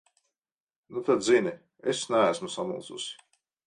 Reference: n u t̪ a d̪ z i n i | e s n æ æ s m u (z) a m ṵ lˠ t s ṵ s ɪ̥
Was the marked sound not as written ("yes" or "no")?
yes